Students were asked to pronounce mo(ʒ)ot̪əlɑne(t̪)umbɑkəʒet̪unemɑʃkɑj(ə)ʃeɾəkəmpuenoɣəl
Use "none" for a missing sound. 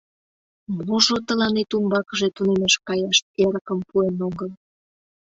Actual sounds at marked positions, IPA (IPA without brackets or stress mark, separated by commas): ʒ, t̪, ɑ